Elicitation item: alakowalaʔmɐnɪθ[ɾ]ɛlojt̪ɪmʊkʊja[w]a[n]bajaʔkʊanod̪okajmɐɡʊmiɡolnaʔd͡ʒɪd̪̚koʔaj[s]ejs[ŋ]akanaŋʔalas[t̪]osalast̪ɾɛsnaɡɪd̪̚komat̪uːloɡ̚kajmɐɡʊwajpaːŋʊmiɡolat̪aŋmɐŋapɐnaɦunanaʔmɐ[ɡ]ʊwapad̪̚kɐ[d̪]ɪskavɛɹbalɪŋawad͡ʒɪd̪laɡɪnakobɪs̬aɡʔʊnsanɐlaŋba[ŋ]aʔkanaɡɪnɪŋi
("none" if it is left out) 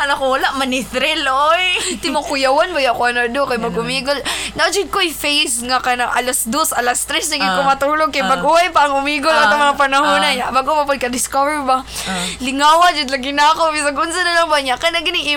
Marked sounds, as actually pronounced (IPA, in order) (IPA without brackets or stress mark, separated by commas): ɾ, w, n, f, ŋ, d̪, ɡ, d̪, ɲ